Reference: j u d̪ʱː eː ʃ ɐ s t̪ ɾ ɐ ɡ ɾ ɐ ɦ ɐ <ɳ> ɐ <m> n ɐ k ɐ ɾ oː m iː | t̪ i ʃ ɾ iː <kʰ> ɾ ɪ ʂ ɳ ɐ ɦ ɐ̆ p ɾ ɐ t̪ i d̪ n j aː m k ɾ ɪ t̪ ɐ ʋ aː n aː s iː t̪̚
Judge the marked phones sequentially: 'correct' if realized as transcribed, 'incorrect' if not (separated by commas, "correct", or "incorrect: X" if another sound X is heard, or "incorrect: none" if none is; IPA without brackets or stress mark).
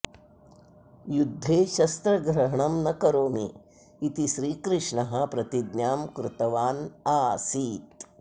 correct, correct, incorrect: k